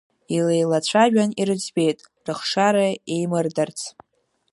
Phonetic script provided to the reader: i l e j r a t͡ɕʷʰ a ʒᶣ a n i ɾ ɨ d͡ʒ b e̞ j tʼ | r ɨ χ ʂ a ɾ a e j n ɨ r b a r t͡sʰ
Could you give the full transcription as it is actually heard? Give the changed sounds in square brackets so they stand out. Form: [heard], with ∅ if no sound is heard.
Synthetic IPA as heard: i l e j [l] a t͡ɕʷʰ a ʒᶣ a n i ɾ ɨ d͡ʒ b e̞ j tʼ | r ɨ χ ʂ a ɾ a e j [m] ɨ r [d] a r t͡sʰ